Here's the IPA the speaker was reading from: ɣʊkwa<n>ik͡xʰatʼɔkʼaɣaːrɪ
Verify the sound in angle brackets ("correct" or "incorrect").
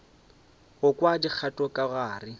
incorrect